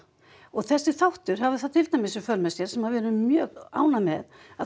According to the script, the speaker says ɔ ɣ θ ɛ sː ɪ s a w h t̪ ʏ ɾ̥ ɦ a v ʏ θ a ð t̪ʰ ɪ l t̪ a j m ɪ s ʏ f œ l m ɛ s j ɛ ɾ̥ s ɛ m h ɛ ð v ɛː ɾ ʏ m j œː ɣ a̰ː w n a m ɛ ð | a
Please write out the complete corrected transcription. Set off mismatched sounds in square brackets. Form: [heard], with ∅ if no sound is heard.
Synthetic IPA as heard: ɔ ɣ θ ɛ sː ɪ [θ] a w h t̪ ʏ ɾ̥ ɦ a v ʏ θ a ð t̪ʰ ɪ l t̪ a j m ɪ s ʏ f œ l m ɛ s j ɛ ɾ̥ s ɛ m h [a] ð v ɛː ɾ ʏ m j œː ɣ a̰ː w n a m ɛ ð | a